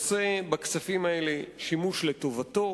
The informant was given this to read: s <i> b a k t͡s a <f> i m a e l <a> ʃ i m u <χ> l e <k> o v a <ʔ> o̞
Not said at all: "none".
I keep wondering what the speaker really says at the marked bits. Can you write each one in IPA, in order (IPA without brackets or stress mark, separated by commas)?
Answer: e, f, e, ʃ, t, t